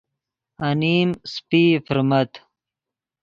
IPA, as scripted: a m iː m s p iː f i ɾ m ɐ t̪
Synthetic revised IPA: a n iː m s p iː f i ɾ m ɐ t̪